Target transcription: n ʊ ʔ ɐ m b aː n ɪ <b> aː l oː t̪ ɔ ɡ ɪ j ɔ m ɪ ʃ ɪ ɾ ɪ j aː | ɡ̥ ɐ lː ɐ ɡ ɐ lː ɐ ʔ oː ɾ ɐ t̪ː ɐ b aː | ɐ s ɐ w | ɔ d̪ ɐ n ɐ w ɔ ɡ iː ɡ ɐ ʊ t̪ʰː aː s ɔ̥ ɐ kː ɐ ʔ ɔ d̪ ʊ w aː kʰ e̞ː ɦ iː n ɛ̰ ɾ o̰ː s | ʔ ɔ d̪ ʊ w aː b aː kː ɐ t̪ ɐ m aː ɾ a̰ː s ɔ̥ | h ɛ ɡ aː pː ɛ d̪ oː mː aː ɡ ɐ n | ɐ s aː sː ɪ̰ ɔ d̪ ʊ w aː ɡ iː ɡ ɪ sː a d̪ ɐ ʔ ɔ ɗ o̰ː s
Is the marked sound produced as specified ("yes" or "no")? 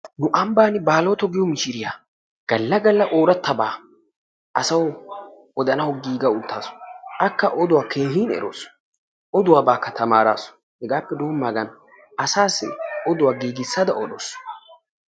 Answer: yes